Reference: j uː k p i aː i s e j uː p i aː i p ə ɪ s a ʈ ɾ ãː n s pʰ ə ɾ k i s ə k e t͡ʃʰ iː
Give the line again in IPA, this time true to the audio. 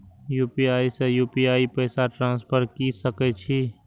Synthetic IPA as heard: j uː p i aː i s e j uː p i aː i p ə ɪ s a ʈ ɾ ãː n s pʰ ə ɾ k i s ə k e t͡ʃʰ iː